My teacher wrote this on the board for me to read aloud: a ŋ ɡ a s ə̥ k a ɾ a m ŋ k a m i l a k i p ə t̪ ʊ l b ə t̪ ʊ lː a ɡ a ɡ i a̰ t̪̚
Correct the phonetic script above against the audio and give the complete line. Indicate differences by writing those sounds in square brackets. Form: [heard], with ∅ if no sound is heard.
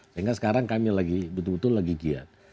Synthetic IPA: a ŋ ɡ a s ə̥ k a ɾ a [∅] ŋ k a m i l a [ɡ] i [b] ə t̪ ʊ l b ə t̪ ʊ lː a ɡ [i] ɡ i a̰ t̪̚